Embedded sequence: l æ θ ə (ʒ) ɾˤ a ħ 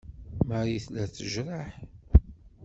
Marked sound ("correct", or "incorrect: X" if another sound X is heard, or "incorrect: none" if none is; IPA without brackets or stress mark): correct